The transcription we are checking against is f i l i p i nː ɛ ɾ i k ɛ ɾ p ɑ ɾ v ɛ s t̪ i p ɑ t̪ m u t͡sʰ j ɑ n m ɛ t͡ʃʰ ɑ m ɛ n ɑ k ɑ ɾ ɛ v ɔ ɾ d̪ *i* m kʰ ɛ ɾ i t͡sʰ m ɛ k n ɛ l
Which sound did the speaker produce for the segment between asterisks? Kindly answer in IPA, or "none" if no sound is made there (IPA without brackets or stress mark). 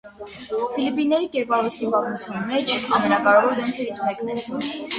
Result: ɛ